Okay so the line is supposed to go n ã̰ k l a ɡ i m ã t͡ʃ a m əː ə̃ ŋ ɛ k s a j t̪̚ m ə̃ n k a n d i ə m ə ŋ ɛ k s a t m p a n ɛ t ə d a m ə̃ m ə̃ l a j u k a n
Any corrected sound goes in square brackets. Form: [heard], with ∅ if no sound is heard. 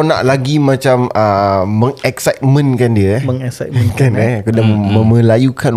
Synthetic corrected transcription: n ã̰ [ʔ] l a ɡ i m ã t͡ʃ a m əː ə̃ ŋ ɛ k s a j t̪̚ m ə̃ n k a n d i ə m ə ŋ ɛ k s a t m [k] a n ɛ [k] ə d a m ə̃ m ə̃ l a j u k a n